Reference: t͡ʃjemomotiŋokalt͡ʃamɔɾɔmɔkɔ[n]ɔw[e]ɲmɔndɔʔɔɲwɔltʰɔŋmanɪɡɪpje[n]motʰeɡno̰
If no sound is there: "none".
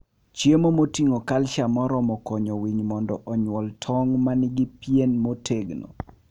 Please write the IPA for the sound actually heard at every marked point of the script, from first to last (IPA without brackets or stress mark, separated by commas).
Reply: ɲ, i, n